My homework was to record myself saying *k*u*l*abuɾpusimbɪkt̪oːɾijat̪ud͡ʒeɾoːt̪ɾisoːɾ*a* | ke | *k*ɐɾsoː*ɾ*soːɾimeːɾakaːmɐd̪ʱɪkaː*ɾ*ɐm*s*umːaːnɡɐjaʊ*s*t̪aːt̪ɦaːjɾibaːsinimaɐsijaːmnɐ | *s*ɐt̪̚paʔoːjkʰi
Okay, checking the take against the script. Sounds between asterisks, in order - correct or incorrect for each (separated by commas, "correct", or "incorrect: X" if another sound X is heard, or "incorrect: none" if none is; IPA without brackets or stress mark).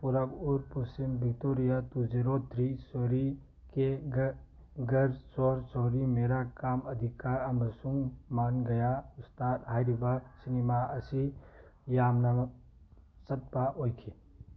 incorrect: p, incorrect: ɾ, incorrect: i, incorrect: ɡ, correct, correct, correct, correct, correct